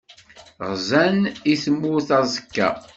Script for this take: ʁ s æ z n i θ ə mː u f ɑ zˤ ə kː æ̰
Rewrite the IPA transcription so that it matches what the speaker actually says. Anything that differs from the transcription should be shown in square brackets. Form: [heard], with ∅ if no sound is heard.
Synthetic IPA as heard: ʁ [z] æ [∅] n i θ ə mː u [θ] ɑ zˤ ə kː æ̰